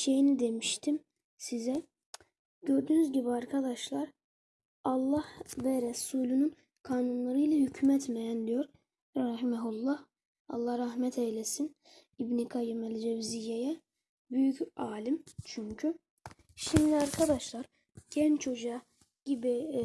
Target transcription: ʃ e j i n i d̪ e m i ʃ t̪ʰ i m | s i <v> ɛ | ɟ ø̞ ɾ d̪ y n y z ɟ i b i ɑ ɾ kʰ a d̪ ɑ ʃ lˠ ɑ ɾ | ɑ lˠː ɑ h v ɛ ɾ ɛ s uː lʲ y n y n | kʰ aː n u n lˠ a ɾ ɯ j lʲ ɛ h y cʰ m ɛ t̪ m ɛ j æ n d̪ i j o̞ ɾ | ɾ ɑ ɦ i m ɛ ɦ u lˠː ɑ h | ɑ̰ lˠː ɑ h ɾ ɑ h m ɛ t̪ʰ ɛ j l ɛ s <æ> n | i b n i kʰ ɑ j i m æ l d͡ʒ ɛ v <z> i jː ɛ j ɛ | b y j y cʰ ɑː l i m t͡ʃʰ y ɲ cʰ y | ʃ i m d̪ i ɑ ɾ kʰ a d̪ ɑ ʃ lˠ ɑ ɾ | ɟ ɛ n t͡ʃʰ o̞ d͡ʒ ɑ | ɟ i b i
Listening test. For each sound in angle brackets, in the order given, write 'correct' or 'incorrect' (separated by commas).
incorrect, incorrect, correct